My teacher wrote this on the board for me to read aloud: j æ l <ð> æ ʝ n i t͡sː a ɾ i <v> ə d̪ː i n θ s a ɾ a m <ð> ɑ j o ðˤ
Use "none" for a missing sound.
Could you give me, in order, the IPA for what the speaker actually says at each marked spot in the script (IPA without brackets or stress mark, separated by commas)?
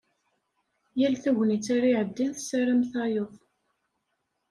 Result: θ, ʕ, θ